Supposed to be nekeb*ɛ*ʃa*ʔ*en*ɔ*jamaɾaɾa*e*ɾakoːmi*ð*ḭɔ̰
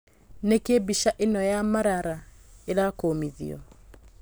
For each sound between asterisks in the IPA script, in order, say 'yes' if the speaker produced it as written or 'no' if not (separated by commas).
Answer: no, yes, yes, yes, yes